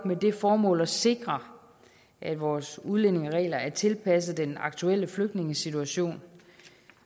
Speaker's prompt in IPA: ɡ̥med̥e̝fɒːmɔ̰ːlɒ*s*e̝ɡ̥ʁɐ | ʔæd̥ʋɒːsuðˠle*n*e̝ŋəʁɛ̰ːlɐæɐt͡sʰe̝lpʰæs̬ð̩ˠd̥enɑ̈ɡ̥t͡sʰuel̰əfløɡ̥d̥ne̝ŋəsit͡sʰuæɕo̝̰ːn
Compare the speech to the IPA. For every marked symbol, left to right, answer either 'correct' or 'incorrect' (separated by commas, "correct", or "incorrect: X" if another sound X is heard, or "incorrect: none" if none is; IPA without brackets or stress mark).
correct, correct